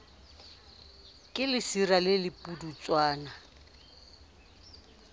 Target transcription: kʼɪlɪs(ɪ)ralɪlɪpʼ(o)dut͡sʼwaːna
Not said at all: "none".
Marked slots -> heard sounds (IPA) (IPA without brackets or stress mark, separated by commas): i, u